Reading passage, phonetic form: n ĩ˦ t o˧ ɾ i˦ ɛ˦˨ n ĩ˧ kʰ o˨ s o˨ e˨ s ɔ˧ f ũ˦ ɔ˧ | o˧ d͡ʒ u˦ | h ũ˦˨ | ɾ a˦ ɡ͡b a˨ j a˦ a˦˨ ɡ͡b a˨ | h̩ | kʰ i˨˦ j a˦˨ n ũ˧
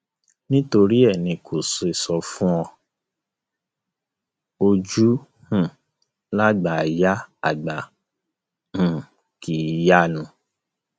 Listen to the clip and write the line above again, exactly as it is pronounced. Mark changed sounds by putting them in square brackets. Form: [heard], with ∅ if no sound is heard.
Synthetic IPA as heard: n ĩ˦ t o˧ ɾ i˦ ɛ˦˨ n ĩ˧ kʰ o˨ s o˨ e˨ s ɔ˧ f ũ˦ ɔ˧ | o˧ d͡ʒ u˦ | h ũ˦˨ | [l] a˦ ɡ͡b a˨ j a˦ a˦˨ ɡ͡b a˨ | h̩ | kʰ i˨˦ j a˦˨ n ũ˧